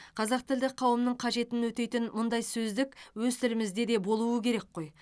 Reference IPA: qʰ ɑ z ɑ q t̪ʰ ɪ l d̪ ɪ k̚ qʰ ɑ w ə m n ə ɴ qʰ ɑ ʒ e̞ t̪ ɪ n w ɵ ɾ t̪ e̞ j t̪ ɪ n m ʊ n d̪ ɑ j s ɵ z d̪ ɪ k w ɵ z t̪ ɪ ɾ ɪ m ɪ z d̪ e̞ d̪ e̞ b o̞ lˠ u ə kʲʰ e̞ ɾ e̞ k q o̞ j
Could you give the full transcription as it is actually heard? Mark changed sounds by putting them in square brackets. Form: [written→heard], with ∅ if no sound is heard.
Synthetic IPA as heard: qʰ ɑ z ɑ q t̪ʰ ɪ l d̪ ɪ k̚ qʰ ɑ w ə m n ə ɴ qʰ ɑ ʒ e̞ t̪ ɪ n w ɵ [ɾ→∅] t̪ e̞ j t̪ ɪ n m ʊ n d̪ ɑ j s ɵ z d̪ ɪ k w ɵ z t̪ ɪ ɾ ɪ m ɪ z d̪ e̞ d̪ e̞ b o̞ lˠ u ə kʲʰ e̞ ɾ e̞ k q o̞ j